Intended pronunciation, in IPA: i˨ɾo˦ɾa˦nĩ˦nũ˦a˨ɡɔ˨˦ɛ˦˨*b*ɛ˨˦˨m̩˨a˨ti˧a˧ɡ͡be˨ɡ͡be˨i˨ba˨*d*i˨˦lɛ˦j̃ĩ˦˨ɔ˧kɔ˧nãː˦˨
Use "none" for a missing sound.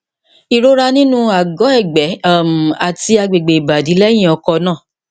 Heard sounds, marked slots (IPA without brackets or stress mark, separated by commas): ɡ͡b, d